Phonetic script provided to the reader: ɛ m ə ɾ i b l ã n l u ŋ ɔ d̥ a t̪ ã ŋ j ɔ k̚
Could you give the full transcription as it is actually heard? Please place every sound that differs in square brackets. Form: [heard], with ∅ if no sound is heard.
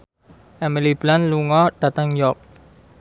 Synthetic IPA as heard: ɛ m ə [l] i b l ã n l u ŋ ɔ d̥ a t̪ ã ŋ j ɔ k̚